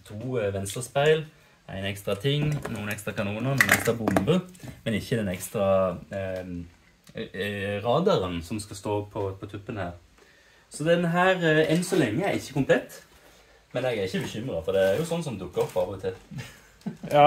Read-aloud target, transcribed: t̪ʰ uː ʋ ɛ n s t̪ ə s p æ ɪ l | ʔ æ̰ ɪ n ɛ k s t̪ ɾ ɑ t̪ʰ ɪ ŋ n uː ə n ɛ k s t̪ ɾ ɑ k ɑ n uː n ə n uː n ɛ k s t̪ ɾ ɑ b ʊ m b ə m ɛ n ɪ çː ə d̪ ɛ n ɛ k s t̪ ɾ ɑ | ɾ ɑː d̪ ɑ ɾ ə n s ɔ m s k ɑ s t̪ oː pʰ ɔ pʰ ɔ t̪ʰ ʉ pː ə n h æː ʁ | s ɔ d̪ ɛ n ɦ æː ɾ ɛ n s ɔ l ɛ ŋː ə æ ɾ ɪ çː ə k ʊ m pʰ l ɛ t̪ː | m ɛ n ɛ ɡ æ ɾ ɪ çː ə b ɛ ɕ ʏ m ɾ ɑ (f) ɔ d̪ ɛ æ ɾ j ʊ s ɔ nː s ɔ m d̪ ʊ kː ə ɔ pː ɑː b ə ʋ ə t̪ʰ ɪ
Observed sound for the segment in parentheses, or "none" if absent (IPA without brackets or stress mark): f